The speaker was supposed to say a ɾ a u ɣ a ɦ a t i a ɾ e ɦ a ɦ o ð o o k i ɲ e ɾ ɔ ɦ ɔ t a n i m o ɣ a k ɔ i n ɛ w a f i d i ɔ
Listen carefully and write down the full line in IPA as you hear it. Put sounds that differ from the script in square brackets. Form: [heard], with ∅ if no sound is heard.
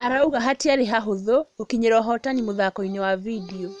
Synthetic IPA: a ɾ a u ɣ a ɦ a t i a ɾ e ɦ a ɦ o ð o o k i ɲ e ɾ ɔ ɦ ɔ t a n i m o [ð] a k ɔ i n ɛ w a [v] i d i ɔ